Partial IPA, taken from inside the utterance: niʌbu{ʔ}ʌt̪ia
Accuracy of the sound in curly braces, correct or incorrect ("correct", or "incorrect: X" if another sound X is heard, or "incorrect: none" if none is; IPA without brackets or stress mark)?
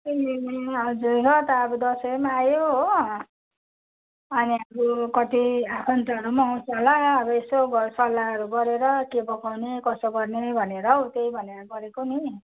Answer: incorrect: k